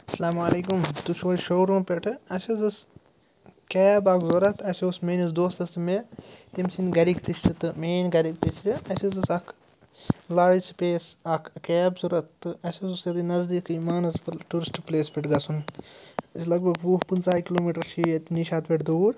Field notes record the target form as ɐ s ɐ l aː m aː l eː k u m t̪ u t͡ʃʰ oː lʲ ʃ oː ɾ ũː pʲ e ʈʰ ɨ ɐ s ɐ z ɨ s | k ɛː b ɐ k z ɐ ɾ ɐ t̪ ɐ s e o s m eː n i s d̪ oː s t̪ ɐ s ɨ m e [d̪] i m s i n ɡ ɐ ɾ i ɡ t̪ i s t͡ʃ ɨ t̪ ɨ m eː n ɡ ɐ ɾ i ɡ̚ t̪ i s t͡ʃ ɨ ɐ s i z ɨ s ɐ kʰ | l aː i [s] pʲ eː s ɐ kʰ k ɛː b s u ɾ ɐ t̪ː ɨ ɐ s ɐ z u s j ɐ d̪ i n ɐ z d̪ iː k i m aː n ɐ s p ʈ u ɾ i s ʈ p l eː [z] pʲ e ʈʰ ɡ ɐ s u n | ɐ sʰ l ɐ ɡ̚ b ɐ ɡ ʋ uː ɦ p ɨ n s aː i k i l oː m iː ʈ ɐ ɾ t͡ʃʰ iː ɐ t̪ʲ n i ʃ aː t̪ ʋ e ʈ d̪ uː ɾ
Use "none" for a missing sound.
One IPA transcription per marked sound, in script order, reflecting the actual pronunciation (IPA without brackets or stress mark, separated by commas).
t̪, s, s